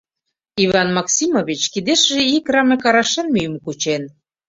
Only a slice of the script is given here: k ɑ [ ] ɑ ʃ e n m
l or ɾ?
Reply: ɾ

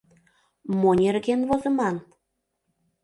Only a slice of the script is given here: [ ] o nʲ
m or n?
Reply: m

